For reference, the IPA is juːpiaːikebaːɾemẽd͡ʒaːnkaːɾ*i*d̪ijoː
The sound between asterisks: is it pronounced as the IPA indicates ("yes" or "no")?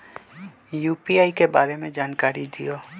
yes